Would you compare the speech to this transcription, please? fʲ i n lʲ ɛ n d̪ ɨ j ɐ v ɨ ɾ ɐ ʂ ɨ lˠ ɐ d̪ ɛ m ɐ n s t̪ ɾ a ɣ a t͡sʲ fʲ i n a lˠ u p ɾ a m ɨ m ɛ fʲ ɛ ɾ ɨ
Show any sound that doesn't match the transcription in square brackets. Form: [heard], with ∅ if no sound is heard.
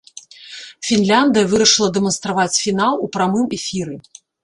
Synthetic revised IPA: fʲ i n lʲ [a] n d̪ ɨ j ɐ v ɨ ɾ ɐ ʂ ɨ lˠ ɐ d̪ ɛ m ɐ n s t̪ ɾ a [v] a t͡sʲ fʲ i n a lˠ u p ɾ a m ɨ m ɛ fʲ [i] ɾ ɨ

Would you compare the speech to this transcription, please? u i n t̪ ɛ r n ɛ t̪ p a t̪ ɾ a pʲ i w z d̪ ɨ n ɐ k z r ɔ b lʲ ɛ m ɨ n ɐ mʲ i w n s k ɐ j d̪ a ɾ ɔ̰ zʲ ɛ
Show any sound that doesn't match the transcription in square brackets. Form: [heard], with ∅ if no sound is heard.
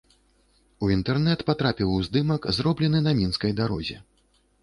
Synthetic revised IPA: u i n t̪ ɛ r n ɛ t̪ p a t̪ ɾ a pʲ i w z d̪ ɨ [m] ɐ k z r ɔ b lʲ ɛ [n] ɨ n ɐ mʲ i [∅] n s k ɐ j d̪ a ɾ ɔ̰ zʲ ɛ

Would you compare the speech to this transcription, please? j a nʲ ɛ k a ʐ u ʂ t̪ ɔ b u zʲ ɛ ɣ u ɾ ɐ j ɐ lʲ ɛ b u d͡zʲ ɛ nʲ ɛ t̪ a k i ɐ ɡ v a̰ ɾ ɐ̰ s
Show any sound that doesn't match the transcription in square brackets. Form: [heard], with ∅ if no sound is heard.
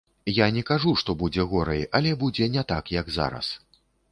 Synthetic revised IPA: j a nʲ ɛ k a ʐ u ʂ t̪ ɔ b u [d͡zʲ] ɛ ɣ [ɔ] ɾ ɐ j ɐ lʲ ɛ b u d͡zʲ ɛ nʲ ɛ t̪ a k [j] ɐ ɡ [z] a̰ ɾ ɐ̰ s

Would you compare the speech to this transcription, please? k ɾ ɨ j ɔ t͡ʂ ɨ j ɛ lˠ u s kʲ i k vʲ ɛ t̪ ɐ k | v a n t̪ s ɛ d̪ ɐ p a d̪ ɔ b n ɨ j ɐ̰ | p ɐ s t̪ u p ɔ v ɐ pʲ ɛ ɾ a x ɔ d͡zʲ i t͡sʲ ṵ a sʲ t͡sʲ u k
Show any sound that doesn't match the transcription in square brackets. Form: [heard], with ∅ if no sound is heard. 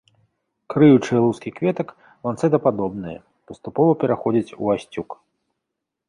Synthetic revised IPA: k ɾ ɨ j [u] t͡ʂ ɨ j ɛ lˠ u s kʲ i k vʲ ɛ t̪ ɐ k | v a n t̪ s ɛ d̪ ɐ p a d̪ ɔ b n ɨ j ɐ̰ | p ɐ s t̪ u p ɔ v ɐ pʲ ɛ ɾ a x ɔ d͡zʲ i t͡sʲ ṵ a sʲ t͡sʲ u k

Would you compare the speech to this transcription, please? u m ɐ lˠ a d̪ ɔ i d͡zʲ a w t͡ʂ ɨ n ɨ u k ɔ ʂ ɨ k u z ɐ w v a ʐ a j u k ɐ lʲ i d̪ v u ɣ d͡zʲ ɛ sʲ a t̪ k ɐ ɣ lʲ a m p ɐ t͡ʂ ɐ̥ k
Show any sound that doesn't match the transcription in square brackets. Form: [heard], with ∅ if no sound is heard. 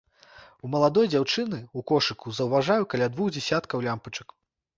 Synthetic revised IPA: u m ɐ lˠ a d̪ ɔ [j] d͡zʲ a w t͡ʂ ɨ n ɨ u k ɔ ʂ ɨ k u z ɐ w v a ʐ a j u k ɐ lʲ [a] d̪ v u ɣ d͡zʲ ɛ sʲ a t̪ k ɐ [w] lʲ a m p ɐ t͡ʂ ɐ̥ k

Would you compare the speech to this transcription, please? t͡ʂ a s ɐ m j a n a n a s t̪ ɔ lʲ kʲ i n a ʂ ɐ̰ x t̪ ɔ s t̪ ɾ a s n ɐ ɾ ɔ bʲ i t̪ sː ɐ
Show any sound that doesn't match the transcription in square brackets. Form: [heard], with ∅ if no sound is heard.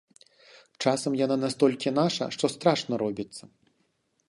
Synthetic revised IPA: t͡ʂ a s ɐ m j a n a n a s t̪ ɔ lʲ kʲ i n a ʂ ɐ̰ [ʂ] t̪ ɔ s t̪ ɾ a [ʂ] n ɐ ɾ ɔ bʲ i t̪ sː ɐ

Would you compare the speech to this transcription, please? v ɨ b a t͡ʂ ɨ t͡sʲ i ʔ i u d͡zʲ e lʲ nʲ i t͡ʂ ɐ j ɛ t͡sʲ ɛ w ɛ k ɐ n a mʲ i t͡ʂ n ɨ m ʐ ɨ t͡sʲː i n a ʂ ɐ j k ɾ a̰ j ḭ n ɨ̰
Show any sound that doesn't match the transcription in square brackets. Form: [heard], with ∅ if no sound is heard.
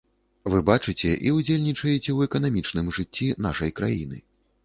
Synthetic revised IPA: v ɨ b a t͡ʂ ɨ t͡sʲ [ɛ] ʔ i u d͡zʲ e lʲ nʲ i t͡ʂ ɐ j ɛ t͡sʲ ɛ w ɛ k ɐ n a mʲ i t͡ʂ n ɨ m ʐ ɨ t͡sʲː i n a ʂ ɐ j k ɾ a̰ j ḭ n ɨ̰

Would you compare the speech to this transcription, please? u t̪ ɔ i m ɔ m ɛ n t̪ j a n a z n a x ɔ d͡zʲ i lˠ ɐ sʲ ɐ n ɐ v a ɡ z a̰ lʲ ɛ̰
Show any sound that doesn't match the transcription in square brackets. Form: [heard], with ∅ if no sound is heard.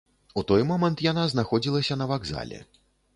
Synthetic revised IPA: u t̪ ɔ [j] m ɔ m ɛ n t̪ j a n a z n a x ɔ d͡zʲ i lˠ ɐ sʲ ɐ n ɐ v a ɡ z a̰ lʲ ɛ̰

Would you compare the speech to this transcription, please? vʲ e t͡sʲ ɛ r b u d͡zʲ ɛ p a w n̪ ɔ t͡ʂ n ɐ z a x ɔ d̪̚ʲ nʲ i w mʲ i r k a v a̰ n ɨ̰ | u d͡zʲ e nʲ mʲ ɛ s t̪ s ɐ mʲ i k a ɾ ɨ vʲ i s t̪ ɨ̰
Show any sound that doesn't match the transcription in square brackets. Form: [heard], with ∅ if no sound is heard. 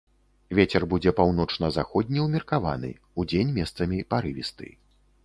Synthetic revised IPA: vʲ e t͡sʲ ɛ r b u d͡zʲ ɛ p a w n̪ ɔ t͡ʂ n ɐ z a x ɔ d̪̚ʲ nʲ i w mʲ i r k a v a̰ n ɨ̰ | u d͡zʲ e nʲ mʲ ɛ s t̪ s ɐ mʲ i [p] a ɾ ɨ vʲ i s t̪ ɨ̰

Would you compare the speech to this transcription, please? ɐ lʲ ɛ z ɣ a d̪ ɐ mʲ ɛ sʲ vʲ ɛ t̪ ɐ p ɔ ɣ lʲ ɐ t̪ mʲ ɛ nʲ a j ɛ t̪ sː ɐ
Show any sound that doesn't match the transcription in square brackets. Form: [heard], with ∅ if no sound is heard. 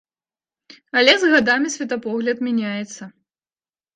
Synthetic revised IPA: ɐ lʲ ɛ z ɣ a d̪ [a] mʲ [i] sʲ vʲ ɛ t̪ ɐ p ɔ ɣ lʲ ɐ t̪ mʲ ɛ nʲ a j ɛ t̪ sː ɐ

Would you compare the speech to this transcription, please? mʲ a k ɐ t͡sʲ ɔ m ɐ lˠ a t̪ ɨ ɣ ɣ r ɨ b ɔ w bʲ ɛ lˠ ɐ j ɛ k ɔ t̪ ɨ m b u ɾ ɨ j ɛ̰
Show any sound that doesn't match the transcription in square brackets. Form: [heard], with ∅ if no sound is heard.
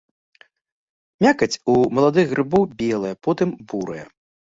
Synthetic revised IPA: mʲ a k ɐ t͡sʲ [u] m ɐ lˠ a [d̪] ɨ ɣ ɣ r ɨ b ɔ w bʲ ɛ lˠ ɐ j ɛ [p] ɔ t̪ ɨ m b u ɾ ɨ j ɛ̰

